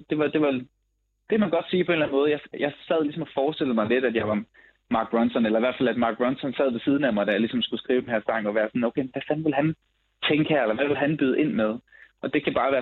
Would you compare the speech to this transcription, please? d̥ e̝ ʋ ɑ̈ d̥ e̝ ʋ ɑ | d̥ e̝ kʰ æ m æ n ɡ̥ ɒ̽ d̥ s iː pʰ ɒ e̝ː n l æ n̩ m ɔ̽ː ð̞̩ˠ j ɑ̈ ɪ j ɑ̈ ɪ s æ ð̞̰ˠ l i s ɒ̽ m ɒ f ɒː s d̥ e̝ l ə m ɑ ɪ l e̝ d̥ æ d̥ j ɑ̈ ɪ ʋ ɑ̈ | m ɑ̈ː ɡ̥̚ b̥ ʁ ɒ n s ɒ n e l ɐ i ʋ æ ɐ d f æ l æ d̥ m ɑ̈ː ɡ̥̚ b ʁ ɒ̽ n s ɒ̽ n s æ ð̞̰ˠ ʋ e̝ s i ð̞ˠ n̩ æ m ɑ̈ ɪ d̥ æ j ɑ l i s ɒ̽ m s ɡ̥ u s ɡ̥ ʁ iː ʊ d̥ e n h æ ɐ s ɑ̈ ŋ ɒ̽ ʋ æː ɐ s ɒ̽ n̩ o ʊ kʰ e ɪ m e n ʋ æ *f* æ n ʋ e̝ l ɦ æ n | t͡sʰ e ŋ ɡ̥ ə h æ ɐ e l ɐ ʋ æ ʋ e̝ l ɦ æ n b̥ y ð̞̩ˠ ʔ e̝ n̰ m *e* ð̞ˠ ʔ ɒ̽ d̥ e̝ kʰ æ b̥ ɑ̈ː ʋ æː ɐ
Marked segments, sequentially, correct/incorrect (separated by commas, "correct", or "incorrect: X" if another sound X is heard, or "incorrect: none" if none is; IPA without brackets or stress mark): correct, correct